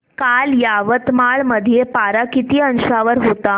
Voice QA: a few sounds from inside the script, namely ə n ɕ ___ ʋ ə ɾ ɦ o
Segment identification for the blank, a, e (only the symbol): a